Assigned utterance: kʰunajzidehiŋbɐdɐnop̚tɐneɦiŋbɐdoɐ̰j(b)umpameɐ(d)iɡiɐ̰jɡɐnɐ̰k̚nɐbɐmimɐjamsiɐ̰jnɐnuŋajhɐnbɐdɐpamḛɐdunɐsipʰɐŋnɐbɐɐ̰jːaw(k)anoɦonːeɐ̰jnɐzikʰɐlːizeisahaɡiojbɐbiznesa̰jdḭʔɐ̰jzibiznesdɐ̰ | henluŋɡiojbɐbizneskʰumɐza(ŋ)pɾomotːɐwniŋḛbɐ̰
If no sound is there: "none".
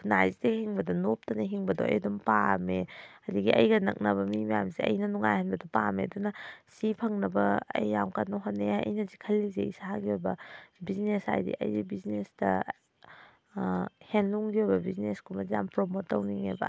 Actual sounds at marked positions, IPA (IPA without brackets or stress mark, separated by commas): d, d, k, m